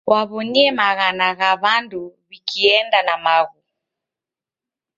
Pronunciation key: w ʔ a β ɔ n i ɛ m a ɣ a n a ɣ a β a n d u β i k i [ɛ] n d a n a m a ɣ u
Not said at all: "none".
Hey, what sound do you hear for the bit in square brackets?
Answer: ɛ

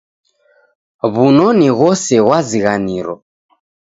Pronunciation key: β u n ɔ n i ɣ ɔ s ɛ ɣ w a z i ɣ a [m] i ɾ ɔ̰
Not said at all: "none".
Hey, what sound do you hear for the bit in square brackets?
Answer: n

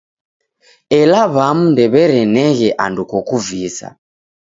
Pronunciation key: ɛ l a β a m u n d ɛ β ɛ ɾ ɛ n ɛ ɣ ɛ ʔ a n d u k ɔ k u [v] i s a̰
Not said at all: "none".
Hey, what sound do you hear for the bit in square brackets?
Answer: v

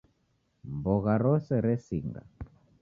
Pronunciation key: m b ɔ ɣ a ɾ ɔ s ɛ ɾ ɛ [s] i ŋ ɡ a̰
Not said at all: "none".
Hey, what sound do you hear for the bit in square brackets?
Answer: s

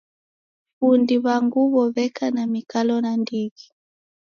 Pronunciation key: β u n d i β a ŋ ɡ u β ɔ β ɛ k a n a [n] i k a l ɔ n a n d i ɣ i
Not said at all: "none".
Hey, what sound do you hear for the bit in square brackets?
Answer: m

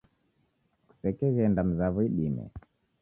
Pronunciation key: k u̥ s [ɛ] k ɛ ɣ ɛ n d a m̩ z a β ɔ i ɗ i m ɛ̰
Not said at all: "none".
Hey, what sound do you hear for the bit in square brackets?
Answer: ɛ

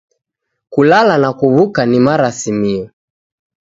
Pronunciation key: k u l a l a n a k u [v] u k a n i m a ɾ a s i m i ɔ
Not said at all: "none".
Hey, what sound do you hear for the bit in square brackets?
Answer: β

